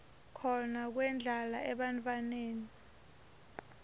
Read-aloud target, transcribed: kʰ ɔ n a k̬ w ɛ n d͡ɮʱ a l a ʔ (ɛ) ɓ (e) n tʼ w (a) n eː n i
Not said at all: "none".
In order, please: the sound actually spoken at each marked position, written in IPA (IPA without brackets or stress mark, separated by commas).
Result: ɛ, a, a